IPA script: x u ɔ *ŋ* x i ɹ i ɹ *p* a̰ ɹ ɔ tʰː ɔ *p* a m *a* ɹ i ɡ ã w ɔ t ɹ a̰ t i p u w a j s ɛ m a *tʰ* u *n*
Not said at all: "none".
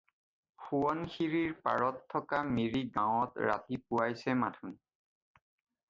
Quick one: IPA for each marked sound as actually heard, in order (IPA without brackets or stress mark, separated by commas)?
n, p, k, i, tʰ, n